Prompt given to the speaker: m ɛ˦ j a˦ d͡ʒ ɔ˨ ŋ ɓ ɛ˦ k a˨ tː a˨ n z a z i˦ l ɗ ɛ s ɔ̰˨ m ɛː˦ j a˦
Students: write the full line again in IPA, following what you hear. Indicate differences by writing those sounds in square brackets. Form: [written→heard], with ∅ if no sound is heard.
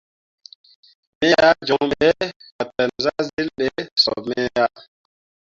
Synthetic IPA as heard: m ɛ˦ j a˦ d͡ʒ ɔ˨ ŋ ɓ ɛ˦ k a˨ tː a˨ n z a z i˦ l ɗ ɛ s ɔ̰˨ m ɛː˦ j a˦

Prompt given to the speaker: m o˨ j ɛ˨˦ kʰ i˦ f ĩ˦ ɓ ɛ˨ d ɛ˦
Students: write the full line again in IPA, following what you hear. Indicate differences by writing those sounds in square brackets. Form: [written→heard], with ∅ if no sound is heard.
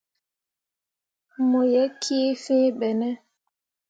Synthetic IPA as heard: m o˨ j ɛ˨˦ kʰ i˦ f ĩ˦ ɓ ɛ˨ [d→n] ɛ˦

